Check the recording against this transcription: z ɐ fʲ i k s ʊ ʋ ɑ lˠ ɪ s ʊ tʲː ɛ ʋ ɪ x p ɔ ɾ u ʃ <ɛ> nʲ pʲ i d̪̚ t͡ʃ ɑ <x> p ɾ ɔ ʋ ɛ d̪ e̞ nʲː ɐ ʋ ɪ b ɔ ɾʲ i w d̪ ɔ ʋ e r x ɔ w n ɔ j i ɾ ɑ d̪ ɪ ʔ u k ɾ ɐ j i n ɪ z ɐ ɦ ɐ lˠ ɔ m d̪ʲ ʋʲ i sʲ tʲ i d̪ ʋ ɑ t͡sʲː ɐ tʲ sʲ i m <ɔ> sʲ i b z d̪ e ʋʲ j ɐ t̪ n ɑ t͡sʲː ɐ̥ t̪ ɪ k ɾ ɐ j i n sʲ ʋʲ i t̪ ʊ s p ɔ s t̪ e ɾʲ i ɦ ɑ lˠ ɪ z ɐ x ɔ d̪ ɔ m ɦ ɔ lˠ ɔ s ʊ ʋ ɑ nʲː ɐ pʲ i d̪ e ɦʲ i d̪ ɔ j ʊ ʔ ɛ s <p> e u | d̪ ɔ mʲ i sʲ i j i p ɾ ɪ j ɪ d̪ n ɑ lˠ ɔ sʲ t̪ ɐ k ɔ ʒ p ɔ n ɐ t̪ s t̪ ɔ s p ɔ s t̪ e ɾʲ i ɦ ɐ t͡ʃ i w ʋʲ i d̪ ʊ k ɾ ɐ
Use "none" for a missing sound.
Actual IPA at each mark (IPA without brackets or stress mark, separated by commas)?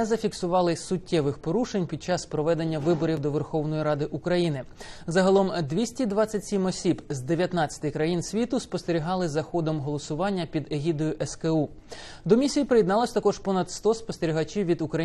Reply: e, s, ɔ, k